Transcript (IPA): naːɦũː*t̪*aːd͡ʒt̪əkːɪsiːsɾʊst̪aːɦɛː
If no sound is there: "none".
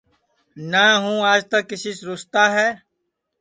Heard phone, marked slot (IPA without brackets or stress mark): none